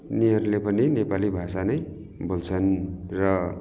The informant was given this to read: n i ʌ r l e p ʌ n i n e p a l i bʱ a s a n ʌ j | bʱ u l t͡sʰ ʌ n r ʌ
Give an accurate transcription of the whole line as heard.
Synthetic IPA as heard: n i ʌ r l e p ʌ n i n e p a l i bʱ a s a n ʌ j | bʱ o l t͡sʰ ʌ n r ʌ